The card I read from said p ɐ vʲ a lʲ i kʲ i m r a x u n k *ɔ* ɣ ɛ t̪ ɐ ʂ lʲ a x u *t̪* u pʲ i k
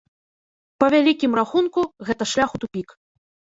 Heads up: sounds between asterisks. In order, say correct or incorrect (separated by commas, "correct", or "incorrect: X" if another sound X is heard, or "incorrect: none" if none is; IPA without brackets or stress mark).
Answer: incorrect: u, correct